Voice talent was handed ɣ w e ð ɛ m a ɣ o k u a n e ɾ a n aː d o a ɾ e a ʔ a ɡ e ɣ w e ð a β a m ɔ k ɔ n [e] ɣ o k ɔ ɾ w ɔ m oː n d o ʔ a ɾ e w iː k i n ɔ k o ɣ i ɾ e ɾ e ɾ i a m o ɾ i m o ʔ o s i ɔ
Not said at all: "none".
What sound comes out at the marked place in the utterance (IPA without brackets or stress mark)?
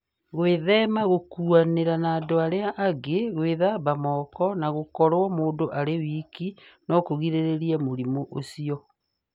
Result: a